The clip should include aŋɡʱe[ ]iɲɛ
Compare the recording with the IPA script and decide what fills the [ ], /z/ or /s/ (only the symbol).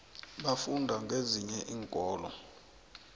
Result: z